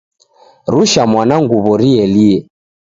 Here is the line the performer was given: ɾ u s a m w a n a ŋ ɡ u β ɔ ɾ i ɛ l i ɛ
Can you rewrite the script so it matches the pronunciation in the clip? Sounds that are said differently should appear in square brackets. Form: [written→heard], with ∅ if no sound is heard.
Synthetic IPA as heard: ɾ u [s→ʃ] a m w a n a ŋ ɡ u β ɔ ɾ i ɛ l i ɛ